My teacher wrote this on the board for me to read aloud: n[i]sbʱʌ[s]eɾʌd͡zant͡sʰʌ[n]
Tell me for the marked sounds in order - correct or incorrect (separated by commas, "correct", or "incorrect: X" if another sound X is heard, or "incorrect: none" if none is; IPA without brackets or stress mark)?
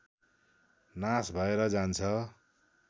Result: incorrect: a, incorrect: none, incorrect: none